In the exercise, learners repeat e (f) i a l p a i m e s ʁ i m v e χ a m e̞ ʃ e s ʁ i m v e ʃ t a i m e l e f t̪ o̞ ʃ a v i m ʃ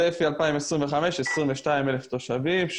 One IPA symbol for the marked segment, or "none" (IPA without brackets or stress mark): f